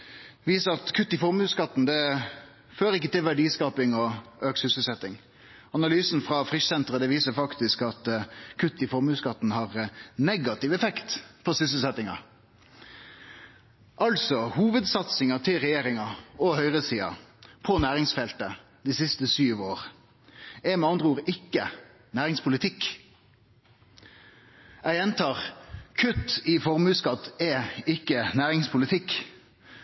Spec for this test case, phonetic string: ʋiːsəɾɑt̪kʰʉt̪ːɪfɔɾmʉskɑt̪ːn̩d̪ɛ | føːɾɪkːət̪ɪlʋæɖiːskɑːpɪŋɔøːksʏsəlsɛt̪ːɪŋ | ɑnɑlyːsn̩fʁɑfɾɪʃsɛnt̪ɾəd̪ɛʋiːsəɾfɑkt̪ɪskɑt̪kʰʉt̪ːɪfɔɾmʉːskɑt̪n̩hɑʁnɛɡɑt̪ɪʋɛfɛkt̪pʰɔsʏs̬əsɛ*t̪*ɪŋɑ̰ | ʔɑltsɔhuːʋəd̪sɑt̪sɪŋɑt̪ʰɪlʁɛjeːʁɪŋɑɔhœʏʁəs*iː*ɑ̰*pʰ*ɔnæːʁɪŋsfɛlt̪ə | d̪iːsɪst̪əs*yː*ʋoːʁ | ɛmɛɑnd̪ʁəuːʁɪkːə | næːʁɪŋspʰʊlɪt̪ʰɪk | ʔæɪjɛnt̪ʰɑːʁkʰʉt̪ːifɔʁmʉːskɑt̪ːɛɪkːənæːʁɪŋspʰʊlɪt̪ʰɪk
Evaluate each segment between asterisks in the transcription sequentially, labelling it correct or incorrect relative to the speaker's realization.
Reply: correct, correct, correct, correct

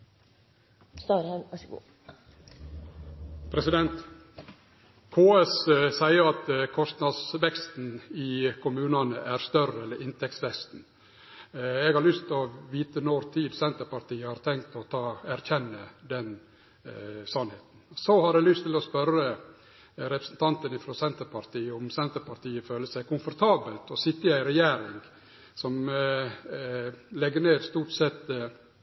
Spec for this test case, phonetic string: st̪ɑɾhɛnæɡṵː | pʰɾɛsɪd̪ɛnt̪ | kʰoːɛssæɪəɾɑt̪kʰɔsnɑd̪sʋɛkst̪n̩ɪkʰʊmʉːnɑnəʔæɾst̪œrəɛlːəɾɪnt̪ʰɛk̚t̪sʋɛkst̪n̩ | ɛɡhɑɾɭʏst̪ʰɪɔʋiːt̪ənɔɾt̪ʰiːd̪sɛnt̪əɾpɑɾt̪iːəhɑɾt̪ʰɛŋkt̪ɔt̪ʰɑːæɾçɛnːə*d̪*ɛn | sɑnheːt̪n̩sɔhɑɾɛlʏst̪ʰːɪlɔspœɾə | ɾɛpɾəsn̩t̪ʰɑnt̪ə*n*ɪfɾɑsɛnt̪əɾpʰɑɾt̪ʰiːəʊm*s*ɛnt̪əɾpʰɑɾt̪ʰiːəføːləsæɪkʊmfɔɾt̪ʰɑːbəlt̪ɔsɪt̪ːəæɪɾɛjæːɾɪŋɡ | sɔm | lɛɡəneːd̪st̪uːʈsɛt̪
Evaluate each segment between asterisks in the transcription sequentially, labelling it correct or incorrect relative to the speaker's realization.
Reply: correct, correct, correct

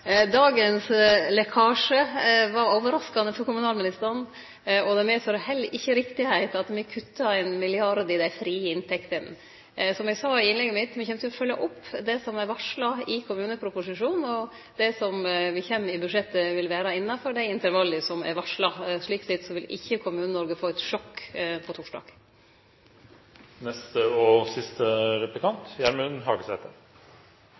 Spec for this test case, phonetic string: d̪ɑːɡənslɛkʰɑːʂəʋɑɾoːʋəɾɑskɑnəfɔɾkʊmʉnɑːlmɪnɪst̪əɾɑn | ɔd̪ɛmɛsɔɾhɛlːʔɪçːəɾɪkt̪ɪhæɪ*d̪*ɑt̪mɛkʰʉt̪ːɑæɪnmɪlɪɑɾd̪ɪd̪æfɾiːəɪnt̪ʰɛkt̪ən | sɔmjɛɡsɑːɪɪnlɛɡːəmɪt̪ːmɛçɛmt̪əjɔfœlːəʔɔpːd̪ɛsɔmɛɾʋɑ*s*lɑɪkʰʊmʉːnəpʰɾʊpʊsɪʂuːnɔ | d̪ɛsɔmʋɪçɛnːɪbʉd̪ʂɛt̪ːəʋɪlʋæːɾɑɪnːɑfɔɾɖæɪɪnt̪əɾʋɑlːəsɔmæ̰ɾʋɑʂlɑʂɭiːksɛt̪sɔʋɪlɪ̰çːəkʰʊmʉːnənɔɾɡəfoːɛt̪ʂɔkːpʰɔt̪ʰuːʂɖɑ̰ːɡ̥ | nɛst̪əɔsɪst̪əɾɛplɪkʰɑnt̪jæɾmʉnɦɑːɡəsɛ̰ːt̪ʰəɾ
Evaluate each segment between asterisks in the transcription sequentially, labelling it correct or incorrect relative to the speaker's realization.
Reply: incorrect, incorrect

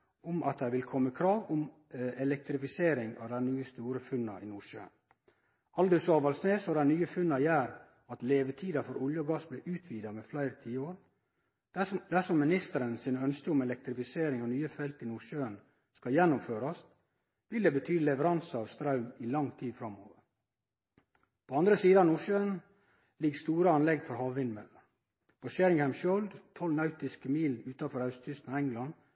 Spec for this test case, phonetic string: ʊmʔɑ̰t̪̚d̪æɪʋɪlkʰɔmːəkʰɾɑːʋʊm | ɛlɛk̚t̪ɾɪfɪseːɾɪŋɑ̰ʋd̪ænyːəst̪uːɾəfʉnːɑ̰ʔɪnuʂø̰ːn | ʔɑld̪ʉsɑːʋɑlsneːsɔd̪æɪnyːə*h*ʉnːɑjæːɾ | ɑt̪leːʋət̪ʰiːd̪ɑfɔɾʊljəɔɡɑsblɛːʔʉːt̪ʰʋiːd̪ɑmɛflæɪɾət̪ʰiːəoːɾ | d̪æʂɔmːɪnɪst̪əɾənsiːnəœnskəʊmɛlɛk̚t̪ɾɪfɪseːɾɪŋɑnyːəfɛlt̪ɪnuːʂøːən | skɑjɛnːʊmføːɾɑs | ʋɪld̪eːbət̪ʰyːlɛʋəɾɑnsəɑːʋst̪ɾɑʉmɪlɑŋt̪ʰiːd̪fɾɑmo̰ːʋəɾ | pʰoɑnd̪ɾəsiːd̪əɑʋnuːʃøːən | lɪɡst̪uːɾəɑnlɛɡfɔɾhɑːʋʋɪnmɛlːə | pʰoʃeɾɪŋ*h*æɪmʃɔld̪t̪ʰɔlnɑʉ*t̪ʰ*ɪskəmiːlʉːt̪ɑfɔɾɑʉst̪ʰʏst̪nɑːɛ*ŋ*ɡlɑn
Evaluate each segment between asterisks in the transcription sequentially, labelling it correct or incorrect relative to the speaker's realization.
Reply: incorrect, correct, incorrect, correct

